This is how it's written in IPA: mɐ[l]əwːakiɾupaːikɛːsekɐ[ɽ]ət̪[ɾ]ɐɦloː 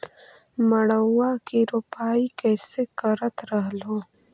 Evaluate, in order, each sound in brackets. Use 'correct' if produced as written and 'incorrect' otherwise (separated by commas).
incorrect, incorrect, correct